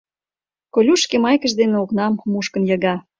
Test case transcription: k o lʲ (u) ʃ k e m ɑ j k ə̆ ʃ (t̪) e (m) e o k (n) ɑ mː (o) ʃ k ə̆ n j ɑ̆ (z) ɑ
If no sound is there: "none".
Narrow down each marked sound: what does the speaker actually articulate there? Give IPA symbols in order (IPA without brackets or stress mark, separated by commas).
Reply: u, d̪, n, n, u, ɣ